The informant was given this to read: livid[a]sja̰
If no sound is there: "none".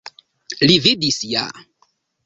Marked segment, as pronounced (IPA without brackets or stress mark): i